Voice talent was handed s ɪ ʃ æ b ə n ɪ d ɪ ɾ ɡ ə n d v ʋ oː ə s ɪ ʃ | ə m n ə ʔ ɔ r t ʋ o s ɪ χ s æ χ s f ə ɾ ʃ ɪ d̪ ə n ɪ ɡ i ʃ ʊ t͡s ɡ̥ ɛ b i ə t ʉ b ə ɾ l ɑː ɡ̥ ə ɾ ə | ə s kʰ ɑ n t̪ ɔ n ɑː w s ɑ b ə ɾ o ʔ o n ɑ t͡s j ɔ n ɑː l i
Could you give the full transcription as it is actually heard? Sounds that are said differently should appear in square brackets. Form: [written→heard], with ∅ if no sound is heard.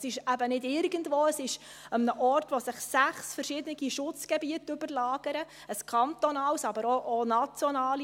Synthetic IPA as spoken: s ɪ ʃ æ b ə n ɪ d ɪ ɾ ɡ ə n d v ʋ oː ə s ɪ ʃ | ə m n ə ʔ ɔ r t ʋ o s ɪ χ s æ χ s f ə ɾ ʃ ɪ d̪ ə n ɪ ɡ i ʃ ʊ t͡s ɡ̥ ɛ b i ə t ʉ b ə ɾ l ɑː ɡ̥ ə ɾ ə | ə s kʰ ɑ n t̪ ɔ n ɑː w s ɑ b ə ɾ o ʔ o n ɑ t͡s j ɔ n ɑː l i